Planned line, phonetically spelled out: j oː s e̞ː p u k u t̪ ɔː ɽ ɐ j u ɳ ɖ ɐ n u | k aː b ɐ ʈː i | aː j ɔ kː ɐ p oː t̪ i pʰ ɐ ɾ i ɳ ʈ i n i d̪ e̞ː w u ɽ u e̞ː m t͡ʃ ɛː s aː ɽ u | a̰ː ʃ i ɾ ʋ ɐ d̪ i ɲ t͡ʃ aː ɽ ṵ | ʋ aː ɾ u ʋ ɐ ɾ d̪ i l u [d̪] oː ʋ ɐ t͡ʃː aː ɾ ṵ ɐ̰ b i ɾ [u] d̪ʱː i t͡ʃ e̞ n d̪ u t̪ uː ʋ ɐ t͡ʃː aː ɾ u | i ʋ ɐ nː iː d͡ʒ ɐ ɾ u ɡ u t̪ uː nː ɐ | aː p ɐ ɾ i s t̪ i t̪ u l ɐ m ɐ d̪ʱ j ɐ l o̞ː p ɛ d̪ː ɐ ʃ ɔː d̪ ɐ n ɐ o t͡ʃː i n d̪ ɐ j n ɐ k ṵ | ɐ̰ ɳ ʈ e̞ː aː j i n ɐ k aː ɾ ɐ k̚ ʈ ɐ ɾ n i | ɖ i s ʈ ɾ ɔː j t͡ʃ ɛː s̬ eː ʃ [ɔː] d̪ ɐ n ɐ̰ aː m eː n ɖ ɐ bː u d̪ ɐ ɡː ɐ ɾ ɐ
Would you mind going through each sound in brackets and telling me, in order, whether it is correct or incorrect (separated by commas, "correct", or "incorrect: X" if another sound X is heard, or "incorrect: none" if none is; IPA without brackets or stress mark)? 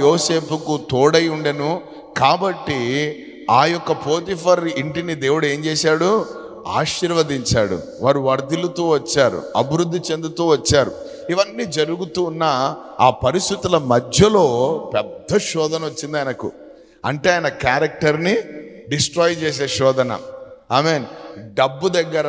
incorrect: t̪, correct, correct